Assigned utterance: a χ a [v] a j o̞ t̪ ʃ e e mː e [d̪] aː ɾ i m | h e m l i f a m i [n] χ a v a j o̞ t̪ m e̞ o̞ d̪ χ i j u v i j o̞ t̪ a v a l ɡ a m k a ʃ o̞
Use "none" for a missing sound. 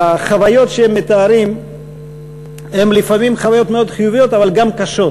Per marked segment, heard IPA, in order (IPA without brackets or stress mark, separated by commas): v, t̪, m